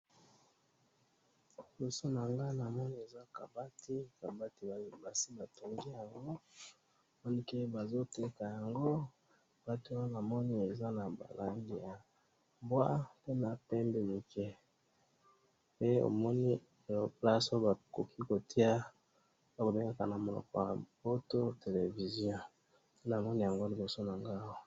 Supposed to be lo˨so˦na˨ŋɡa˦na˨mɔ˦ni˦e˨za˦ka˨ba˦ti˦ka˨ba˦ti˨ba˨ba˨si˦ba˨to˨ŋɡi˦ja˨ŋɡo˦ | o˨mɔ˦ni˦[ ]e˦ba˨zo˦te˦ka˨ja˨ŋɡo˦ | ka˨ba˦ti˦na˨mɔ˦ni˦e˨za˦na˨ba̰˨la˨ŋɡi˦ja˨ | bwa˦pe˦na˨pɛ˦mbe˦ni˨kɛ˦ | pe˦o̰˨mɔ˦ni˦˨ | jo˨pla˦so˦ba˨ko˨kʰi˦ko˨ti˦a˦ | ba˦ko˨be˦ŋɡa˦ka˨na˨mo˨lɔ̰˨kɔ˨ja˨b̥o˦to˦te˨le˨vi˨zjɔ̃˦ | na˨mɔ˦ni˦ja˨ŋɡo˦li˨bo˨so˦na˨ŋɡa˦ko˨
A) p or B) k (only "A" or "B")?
B